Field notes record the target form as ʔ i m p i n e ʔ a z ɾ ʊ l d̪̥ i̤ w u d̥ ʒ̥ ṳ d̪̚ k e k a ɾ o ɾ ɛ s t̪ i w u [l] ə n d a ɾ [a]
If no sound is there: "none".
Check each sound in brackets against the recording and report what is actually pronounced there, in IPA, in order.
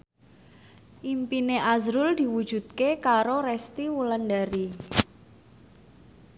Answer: l, i

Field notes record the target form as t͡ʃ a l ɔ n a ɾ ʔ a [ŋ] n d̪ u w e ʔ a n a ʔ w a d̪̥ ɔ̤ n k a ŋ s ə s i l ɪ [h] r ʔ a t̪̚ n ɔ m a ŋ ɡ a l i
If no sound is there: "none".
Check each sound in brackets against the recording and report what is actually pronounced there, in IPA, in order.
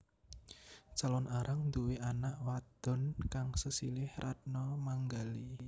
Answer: ŋ, h

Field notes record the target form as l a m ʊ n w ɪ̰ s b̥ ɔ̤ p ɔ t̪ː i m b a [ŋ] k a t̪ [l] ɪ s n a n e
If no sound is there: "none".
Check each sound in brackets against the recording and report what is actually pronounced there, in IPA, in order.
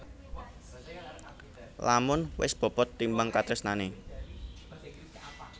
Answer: ŋ, ɾ

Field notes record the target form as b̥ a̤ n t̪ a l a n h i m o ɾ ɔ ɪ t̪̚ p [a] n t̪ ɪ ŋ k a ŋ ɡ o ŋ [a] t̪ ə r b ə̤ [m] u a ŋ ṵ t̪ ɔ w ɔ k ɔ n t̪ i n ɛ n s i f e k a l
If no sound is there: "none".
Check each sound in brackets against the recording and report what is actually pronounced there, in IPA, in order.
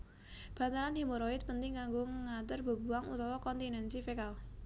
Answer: ə, a, b

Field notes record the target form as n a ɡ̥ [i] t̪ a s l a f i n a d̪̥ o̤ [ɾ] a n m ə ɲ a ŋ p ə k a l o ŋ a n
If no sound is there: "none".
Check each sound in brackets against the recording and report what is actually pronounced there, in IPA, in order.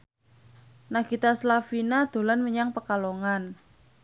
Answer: i, l

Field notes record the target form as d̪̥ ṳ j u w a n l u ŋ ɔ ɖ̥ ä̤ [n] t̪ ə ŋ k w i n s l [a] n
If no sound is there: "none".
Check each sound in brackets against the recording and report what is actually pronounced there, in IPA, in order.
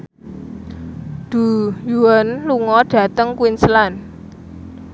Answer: none, a

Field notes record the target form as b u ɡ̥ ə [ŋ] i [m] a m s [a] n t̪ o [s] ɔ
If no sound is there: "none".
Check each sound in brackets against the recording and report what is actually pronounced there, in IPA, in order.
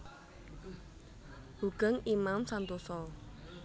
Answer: ŋ, m, a, s

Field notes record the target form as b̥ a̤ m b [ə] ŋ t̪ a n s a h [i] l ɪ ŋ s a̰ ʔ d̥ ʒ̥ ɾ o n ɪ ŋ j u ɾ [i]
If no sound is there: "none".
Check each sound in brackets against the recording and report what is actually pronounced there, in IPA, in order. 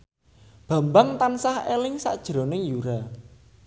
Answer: a, e, a

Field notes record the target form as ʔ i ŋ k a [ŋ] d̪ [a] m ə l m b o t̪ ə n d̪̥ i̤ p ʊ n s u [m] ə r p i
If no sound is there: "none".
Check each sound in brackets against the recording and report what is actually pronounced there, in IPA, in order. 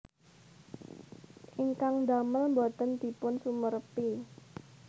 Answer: ŋ, a, m

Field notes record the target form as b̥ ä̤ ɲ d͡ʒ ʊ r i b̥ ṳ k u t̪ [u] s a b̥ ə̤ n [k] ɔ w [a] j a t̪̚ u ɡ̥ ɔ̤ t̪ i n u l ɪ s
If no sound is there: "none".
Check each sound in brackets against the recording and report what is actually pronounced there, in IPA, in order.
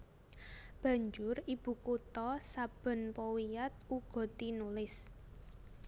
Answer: ɔ, p, i

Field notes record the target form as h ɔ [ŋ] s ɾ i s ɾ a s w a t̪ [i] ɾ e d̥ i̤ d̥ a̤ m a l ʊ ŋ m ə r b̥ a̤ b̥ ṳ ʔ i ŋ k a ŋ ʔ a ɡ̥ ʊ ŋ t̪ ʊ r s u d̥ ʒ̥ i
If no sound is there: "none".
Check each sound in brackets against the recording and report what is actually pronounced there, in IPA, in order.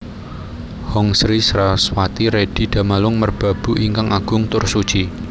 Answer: ŋ, i

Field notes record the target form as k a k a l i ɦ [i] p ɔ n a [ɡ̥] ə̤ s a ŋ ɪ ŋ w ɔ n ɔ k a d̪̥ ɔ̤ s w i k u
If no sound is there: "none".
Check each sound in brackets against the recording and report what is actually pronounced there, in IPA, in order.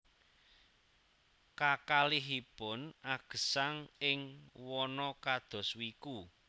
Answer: i, ɡ̥

